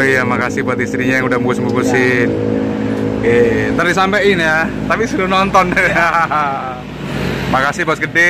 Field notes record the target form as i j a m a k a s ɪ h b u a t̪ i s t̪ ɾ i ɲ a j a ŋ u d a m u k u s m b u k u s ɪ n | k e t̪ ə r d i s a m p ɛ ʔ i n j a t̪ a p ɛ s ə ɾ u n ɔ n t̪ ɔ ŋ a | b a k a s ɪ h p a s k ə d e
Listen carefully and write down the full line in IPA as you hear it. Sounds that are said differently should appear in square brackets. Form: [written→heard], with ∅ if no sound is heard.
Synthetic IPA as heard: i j a m a k a s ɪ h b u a t̪ i s t̪ ɾ i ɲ a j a ŋ u d a m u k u s m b u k u s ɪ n | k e t̪ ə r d i s a m p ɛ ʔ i n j a t̪ a p [ɛ→i] s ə ɾ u n ɔ n t̪ ɔ [ŋ→n] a | [b→m] a k a s ɪ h p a s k ə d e

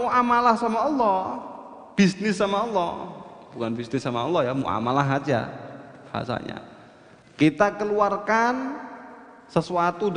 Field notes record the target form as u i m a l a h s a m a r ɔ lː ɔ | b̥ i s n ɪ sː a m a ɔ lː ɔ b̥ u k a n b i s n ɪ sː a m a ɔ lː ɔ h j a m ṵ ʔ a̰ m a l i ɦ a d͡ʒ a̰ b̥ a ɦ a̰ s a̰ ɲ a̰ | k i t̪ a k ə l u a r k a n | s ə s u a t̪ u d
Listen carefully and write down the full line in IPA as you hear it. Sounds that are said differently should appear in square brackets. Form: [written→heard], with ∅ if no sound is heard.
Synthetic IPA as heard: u [i→a] m a l a h s a m a [r→∅] ɔ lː ɔ | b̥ i s n ɪ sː a m a ɔ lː ɔ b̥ u k a n b i s n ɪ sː a m a ɔ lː ɔ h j a m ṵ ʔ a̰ m a l [i→a] ɦ a d͡ʒ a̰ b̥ a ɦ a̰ s a̰ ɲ a̰ | k i t̪ a k ə l u a r k a n | s ə s u a t̪ u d

